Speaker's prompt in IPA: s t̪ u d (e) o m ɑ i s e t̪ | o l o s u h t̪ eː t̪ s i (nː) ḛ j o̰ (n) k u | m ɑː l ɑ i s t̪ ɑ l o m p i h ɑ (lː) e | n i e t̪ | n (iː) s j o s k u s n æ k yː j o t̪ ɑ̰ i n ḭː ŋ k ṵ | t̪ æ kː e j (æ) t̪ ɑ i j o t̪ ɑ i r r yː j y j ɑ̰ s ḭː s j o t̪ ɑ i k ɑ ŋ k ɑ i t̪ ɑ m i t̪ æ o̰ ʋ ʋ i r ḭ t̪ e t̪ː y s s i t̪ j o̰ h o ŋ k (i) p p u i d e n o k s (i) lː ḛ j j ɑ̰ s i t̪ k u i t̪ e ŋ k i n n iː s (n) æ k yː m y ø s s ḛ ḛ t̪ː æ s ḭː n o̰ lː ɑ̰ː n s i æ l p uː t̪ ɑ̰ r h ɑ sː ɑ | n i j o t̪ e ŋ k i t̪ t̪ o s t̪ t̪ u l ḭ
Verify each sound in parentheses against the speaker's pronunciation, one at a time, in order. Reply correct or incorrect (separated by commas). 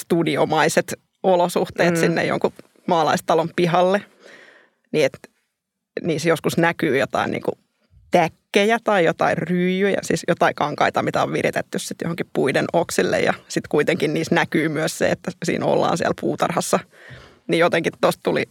incorrect, correct, incorrect, correct, correct, correct, correct, correct, correct